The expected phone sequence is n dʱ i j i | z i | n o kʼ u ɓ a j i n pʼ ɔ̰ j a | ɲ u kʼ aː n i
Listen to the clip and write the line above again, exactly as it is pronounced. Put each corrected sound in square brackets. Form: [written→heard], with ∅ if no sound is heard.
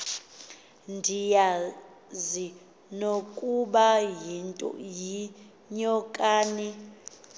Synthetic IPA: n dʱ i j [i→a] | z i | n o kʼ u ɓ a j i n [pʼ→tʼ] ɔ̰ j [a→i] | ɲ [u→ɔ] kʼ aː n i